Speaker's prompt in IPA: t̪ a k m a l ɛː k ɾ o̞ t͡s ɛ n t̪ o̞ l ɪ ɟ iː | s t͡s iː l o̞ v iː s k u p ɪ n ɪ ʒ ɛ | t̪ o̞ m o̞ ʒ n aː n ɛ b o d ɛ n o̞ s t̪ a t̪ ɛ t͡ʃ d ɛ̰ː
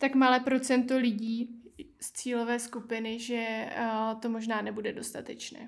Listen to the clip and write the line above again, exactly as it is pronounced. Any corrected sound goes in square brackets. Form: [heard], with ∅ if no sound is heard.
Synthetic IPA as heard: t̪ a k m a l ɛː [p] ɾ o̞ t͡s ɛ n t̪ o̞ l ɪ ɟ iː | s t͡s iː l o̞ v [ɛː] s k u p ɪ n ɪ ʒ ɛ | t̪ o̞ m o̞ ʒ n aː n ɛ b [u] d ɛ [d] o̞ s t̪ a t̪ ɛ t͡ʃ [n] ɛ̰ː